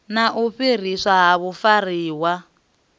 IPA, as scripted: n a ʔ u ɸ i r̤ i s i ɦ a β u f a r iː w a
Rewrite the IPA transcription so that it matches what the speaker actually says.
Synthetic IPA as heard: n a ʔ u ɸ i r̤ i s a ɦ a β u f a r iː w a